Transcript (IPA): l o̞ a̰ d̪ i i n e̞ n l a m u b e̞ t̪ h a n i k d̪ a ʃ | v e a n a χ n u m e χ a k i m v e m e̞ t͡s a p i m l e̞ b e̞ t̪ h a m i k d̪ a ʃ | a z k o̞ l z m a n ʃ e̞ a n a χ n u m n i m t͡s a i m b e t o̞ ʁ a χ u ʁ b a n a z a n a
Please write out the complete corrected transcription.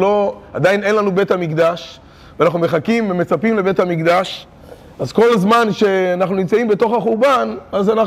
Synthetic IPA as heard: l o̞ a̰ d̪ a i n e̞ n l a n u b e̞ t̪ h a m i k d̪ a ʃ | v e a n a χ n u m e χ a k i m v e m e̞ t͡s a p i m l e̞ b e̞ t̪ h a m i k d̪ a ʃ | a z k o̞ l z m a n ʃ e̞ a n a χ n u n i m t͡s a i m b e t o̞ χ a χ u ʁ b a n a z a n a